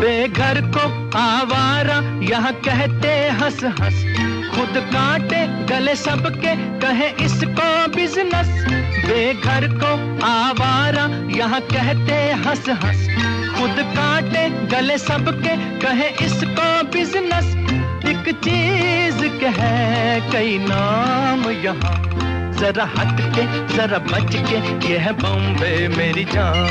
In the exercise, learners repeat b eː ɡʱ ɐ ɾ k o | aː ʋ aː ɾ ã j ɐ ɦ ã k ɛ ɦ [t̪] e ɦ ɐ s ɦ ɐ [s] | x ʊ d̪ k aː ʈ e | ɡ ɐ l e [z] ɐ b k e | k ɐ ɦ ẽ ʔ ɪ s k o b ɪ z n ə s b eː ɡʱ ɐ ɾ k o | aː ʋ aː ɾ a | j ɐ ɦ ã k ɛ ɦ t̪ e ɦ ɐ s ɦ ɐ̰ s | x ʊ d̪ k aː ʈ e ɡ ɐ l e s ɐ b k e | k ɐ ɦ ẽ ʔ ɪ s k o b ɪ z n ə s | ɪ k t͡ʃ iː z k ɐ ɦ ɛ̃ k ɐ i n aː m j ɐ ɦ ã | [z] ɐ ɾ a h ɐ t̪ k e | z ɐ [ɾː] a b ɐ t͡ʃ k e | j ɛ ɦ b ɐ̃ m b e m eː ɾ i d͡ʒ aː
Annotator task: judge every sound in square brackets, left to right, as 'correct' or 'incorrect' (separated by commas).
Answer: correct, correct, incorrect, correct, incorrect